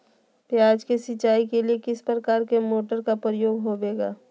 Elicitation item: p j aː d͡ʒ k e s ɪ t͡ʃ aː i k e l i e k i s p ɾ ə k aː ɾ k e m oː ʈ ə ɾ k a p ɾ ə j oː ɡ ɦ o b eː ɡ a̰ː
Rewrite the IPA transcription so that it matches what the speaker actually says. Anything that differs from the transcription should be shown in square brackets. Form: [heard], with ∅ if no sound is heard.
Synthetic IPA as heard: p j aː d͡ʒ k e s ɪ t͡ʃ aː i k e l i e k [ɪ] s p ɾ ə k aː ɾ k e m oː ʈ ə ɾ k a p ɾ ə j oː ɡ ɦ o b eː ɡ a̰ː